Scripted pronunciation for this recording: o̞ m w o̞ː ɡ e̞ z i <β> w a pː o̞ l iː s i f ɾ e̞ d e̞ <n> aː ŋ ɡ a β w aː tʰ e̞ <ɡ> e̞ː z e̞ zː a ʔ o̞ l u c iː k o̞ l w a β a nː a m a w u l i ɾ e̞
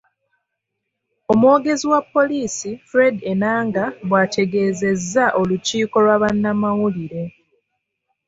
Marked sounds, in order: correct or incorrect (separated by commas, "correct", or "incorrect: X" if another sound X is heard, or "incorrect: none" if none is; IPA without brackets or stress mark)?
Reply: incorrect: none, correct, correct